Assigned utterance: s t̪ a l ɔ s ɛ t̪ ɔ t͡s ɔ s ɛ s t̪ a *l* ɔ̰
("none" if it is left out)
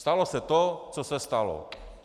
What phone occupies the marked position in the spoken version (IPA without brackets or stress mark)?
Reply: l